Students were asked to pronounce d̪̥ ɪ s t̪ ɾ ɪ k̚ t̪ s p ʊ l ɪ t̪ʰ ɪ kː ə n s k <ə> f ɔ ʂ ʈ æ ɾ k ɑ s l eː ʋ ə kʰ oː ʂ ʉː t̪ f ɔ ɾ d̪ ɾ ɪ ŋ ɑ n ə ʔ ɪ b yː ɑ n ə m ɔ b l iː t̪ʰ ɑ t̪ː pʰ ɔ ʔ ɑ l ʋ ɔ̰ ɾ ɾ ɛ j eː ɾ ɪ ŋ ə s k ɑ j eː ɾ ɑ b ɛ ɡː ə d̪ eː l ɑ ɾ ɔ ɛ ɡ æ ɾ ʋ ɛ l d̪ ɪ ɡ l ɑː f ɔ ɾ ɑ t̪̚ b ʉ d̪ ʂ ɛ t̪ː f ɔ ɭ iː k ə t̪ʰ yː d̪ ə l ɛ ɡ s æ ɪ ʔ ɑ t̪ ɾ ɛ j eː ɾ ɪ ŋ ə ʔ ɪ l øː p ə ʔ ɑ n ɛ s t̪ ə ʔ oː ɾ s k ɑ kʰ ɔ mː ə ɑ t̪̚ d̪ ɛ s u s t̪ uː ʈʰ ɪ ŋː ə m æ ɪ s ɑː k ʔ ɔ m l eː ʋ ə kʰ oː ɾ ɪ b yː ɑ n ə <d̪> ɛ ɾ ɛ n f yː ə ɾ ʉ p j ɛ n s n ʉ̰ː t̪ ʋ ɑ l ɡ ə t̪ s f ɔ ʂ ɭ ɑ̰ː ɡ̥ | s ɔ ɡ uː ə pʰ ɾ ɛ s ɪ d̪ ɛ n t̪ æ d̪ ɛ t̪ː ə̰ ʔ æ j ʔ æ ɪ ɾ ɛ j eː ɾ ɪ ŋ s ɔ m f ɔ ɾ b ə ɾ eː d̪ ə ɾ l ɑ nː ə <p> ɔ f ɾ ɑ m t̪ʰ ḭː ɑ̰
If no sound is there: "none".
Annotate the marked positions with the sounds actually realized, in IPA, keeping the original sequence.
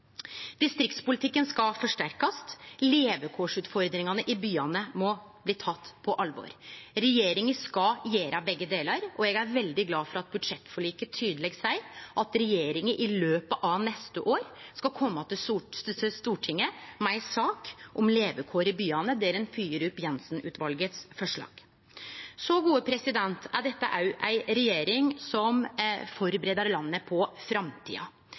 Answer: ɑ, d̪, pʰ

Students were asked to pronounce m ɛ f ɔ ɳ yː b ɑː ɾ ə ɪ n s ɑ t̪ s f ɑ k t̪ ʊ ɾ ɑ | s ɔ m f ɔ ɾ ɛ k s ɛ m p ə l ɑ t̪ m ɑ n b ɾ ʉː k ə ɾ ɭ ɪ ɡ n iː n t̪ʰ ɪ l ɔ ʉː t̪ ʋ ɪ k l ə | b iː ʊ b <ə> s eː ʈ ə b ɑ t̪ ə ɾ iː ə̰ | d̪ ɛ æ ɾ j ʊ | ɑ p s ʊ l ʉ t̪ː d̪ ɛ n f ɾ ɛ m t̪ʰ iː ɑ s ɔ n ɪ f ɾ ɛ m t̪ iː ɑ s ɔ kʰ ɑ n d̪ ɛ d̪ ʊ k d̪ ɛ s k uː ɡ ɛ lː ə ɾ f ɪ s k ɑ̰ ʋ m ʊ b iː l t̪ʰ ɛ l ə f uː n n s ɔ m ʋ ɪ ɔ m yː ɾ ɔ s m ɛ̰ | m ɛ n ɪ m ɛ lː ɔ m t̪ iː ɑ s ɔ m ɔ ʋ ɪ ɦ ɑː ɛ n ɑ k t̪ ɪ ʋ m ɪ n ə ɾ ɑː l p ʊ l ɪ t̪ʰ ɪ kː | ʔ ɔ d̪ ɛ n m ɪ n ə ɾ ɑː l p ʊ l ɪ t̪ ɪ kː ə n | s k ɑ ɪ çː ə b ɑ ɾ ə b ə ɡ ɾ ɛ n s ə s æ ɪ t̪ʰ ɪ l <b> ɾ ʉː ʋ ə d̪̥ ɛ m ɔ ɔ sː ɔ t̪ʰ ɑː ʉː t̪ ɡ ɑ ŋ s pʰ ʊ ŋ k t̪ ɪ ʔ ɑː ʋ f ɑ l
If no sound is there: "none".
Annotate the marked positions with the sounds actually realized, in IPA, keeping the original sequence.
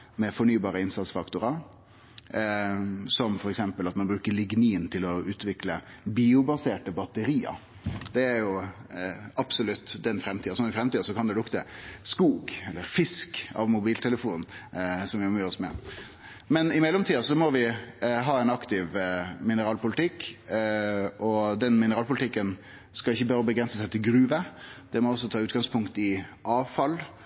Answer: ɑ, ɡ

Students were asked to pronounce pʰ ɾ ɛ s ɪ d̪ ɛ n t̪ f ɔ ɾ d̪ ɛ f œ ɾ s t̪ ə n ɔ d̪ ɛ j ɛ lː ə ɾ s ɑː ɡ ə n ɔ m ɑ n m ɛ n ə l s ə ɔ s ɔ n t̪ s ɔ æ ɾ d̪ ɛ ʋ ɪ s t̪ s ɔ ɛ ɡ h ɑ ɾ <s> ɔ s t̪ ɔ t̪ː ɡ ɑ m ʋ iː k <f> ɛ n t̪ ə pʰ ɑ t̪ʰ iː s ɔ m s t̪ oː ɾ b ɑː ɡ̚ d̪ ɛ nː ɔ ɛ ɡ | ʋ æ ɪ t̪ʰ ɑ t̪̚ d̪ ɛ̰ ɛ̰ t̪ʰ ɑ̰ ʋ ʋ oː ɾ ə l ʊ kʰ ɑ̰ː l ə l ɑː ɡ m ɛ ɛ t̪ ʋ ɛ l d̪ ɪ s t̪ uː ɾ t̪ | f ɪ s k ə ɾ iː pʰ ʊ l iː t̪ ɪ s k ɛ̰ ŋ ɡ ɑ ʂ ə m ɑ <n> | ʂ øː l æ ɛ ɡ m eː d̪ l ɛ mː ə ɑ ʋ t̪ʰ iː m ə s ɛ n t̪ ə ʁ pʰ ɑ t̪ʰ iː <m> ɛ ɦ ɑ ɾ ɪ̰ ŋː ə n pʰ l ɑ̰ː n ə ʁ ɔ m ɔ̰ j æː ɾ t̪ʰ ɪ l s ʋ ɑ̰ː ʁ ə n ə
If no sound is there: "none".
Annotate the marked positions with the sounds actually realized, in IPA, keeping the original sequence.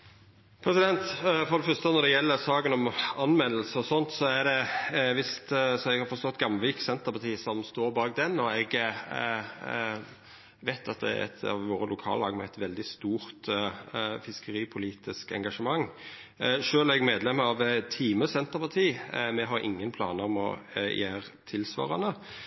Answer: f, s, ŋ, m

